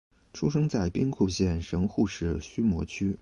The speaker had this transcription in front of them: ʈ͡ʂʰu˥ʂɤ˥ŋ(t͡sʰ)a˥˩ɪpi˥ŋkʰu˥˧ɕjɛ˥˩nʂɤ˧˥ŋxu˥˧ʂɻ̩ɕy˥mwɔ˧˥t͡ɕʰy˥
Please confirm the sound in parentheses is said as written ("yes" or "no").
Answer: no